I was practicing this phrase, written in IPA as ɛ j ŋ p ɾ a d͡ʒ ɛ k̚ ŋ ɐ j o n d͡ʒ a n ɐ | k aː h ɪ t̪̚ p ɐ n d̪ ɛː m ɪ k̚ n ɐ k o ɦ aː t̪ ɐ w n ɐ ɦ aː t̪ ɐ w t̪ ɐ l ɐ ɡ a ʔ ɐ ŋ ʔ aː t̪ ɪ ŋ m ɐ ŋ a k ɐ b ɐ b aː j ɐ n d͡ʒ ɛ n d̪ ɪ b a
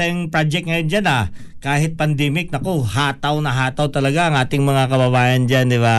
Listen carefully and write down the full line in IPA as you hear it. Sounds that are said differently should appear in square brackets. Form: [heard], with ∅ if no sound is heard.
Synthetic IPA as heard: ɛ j ŋ p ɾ a d͡ʒ ɛ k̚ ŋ ɐ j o n d͡ʒ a n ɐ | k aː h ɪ t̪̚ p ɐ n d̪ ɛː m ɪ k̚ n ɐ k o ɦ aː t̪ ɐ w n ɐ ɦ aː t̪ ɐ w t̪ ɐ l ɐ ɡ a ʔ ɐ ŋ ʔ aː t̪ ɪ ŋ m ɐ ŋ a k ɐ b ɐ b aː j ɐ n d͡ʒ [a] n d̪ ɪ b a